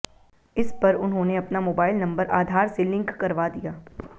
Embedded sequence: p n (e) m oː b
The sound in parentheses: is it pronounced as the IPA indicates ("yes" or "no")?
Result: no